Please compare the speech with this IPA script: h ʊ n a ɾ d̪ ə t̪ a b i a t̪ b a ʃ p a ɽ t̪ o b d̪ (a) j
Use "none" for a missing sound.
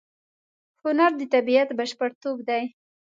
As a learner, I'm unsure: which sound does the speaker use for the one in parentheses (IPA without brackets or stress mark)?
a